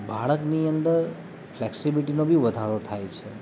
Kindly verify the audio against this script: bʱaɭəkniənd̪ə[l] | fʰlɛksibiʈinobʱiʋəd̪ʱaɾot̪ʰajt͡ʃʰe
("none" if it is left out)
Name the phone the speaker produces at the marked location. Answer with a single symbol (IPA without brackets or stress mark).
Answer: ɾ